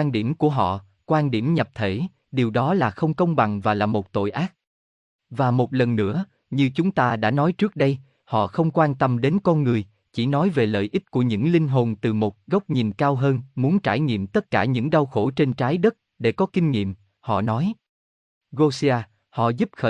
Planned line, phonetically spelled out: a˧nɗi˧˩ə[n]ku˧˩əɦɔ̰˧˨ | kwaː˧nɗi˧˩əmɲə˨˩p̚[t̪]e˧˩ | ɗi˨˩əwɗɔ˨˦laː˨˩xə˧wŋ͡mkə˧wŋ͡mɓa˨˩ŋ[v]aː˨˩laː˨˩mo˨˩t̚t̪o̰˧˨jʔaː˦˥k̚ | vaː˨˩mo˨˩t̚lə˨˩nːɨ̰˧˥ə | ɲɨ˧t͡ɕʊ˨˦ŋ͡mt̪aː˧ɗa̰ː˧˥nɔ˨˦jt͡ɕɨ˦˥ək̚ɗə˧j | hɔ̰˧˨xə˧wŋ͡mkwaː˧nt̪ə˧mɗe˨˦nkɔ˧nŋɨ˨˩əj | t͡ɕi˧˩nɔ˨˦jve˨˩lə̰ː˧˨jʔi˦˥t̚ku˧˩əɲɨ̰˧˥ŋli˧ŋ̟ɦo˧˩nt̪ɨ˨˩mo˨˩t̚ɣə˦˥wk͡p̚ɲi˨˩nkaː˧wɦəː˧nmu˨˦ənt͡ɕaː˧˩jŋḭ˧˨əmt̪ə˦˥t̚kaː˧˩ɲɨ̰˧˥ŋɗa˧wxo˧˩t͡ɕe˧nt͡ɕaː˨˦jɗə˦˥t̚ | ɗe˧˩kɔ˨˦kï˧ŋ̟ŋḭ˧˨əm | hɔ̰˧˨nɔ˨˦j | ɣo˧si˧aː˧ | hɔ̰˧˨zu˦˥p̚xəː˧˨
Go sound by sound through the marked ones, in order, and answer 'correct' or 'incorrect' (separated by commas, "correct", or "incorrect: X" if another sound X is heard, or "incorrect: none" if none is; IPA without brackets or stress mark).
incorrect: m, incorrect: t̪ʰ, correct